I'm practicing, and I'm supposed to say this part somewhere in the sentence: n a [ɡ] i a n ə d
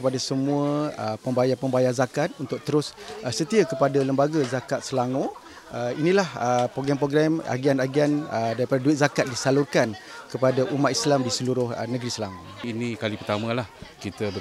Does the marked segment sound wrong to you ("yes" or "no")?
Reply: no